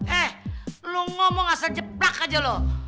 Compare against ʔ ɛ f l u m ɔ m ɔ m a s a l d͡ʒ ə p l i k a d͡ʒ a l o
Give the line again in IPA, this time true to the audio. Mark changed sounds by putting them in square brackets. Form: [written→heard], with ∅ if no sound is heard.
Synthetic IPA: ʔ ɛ [f→h] l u [m→ŋ] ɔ m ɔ [m→ŋ] a s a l d͡ʒ ə p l [i→a] k a d͡ʒ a l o